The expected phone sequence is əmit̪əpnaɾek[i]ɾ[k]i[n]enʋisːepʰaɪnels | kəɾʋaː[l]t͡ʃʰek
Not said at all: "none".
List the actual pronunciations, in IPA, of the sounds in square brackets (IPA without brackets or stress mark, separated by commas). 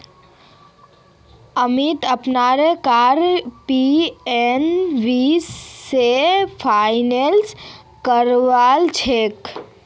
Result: a, p, none, l